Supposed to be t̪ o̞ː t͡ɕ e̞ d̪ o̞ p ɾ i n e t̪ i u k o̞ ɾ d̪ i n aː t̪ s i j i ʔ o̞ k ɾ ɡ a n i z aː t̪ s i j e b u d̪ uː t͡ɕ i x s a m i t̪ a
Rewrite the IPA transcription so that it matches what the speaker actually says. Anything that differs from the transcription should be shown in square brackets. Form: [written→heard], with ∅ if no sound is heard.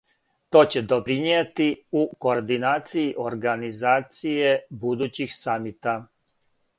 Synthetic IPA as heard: t̪ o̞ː t͡ɕ e̞ d̪ o̞ p ɾ i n e t̪ i u k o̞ ɾ d̪ i n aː t̪ s i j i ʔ o̞ [k→∅] ɾ ɡ a n i z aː t̪ s i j e b u d̪ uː t͡ɕ i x s a m i t̪ a